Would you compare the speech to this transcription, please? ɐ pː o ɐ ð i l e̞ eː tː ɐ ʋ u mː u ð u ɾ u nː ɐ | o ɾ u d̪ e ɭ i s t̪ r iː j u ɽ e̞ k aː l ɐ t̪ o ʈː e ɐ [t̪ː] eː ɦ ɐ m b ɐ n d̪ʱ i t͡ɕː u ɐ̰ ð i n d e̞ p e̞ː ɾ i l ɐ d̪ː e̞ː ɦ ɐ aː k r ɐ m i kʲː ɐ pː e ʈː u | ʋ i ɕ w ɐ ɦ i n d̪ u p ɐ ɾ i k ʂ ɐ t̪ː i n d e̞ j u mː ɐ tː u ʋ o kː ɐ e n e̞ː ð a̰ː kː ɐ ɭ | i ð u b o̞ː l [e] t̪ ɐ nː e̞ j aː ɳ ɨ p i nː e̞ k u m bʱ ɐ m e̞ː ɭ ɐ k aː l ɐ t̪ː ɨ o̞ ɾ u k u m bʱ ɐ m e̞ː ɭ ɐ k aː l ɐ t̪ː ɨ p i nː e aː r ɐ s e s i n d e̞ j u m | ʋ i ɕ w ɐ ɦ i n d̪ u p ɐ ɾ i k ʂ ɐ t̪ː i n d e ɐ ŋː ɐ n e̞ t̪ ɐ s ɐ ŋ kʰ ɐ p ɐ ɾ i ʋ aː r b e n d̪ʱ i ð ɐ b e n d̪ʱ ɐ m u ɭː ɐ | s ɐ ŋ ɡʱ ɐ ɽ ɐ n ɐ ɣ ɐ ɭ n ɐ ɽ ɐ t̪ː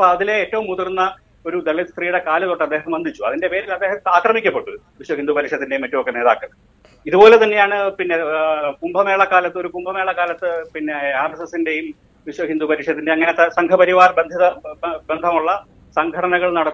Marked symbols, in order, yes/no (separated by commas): no, yes